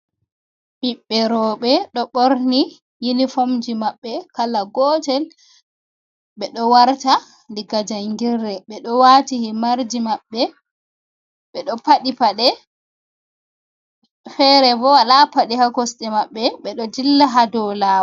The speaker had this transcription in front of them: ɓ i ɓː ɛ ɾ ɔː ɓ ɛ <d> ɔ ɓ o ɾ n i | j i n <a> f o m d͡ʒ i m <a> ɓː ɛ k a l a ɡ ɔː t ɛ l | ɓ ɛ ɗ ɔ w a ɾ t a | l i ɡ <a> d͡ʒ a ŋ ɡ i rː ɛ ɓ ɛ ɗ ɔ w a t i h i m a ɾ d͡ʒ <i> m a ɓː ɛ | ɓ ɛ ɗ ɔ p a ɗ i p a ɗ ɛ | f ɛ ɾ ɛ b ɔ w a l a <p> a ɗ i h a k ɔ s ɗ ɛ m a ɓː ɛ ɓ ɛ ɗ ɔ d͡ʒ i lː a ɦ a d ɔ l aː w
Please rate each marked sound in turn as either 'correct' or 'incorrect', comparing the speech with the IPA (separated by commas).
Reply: incorrect, incorrect, correct, correct, correct, correct